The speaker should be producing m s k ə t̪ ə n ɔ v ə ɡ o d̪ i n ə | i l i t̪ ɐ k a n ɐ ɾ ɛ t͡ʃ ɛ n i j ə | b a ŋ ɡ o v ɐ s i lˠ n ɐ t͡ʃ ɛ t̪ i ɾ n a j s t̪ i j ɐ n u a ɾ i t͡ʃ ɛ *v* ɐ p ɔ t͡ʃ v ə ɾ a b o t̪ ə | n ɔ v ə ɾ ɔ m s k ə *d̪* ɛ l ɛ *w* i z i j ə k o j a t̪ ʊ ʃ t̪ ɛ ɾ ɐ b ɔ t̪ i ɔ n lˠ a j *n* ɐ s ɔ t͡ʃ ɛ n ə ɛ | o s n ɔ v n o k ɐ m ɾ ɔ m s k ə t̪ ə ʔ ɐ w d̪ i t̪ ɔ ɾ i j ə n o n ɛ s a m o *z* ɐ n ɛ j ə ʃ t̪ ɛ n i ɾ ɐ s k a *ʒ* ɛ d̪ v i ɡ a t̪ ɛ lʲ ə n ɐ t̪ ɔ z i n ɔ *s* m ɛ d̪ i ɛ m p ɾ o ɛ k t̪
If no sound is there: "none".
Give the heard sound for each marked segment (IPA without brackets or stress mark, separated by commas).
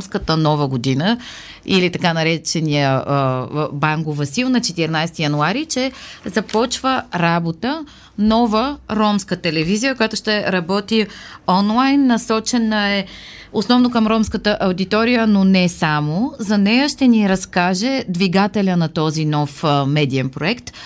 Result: z, t̪, v, nː, z, ʒ, f